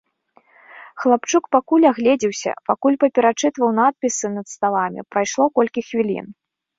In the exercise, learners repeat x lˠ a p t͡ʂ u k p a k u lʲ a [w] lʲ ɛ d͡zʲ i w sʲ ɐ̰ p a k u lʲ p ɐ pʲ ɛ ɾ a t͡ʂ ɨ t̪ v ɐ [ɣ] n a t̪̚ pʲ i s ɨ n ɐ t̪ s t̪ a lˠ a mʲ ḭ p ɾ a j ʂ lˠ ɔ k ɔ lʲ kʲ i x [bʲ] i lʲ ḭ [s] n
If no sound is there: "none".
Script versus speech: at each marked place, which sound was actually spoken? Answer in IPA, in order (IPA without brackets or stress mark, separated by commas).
ɣ, w, vʲ, none